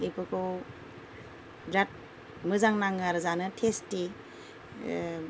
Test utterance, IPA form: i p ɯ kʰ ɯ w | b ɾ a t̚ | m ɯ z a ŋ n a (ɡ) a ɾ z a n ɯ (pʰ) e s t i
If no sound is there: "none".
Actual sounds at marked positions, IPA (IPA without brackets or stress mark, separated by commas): ŋ, tʰ